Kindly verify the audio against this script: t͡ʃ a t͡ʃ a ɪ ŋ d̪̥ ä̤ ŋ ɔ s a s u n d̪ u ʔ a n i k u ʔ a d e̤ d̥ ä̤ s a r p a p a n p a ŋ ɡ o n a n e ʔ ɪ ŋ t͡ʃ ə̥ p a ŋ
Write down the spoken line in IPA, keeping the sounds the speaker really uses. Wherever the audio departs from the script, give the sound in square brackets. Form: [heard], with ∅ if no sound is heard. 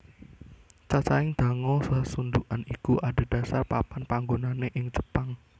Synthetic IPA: t͡ʃ a t͡ʃ a ɪ ŋ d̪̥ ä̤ ŋ ɔ s a s u n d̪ u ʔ a n i k u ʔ a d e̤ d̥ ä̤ s a r p a p a n p a ŋ ɡ o n a n e ʔ ɪ ŋ t͡ʃ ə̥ p a ŋ